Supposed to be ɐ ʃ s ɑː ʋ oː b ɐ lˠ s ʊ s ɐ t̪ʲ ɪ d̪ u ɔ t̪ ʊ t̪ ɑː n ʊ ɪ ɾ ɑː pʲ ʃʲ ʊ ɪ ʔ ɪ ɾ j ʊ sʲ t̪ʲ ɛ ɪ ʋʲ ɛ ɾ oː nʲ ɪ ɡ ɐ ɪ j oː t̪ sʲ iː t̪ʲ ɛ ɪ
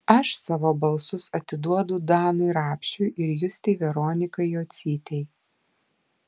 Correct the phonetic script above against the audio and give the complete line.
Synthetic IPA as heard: ɐ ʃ s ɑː ʋ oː b ɐ lˠ s ʊ s ɐ t̪ʲ ɪ d̪ u ɔ d̪ ʊ d̪ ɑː n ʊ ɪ ɾ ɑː pʲ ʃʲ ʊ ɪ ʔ ɪ ɾ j ʊ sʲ t̪ʲ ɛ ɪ ʋʲ ɛ ɾ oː nʲ ɪ k ɐ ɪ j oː t̪ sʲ iː t̪ʲ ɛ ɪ